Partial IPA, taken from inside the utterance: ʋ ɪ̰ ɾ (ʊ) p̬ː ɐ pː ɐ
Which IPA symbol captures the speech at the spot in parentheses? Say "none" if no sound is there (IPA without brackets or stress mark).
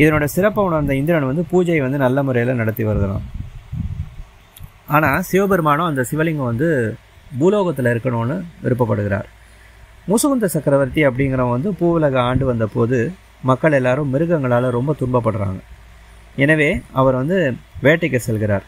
ɯ